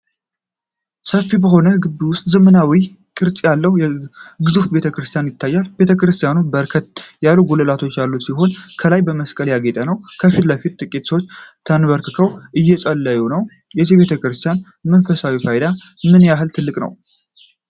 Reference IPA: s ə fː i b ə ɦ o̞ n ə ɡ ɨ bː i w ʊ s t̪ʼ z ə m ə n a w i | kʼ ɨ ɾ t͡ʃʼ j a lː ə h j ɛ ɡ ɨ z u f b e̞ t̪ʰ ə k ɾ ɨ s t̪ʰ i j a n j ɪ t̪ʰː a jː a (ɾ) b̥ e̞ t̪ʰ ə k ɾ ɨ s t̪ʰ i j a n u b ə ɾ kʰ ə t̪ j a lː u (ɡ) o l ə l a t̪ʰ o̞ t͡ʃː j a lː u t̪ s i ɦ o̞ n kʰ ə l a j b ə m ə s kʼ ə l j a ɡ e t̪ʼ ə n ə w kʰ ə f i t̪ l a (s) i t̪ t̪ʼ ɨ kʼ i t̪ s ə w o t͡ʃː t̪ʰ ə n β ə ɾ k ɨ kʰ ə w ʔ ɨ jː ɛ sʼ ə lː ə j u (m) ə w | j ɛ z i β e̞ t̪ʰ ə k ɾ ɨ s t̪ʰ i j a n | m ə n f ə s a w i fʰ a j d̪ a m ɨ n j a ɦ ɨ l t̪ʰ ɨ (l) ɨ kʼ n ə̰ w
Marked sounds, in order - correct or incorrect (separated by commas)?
incorrect, correct, incorrect, incorrect, incorrect